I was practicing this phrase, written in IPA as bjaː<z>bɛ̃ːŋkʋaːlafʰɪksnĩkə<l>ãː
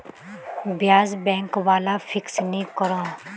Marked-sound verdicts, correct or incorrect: correct, incorrect

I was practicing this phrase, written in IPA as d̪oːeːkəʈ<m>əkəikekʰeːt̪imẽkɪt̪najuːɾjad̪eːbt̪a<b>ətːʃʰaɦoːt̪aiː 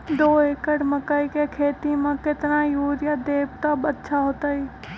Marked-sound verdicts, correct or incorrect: correct, correct

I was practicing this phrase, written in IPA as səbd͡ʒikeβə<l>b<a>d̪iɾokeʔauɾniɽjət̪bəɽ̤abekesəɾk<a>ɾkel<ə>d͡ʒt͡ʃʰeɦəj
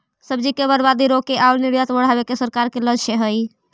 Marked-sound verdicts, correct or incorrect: incorrect, correct, correct, correct

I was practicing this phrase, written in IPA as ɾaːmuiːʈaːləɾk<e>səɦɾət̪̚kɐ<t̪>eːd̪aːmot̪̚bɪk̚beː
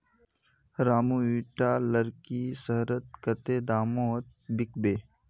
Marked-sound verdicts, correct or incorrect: incorrect, correct

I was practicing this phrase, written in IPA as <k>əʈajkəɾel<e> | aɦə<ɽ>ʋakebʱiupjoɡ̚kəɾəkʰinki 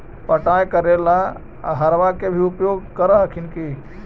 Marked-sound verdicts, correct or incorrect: incorrect, incorrect, incorrect

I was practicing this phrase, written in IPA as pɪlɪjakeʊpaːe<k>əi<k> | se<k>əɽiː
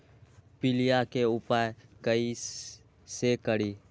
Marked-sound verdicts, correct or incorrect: correct, incorrect, correct

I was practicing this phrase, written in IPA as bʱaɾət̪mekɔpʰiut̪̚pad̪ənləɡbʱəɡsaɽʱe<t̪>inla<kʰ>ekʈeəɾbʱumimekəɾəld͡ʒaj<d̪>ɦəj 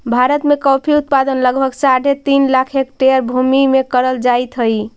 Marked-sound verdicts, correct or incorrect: correct, correct, incorrect

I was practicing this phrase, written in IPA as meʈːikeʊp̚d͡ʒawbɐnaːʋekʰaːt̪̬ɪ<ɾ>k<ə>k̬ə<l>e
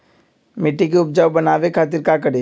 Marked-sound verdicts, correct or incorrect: correct, incorrect, incorrect

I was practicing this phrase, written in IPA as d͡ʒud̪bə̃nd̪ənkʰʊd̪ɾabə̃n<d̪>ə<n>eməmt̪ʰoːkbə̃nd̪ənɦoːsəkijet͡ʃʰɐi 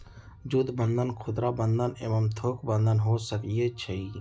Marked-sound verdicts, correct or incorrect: correct, correct

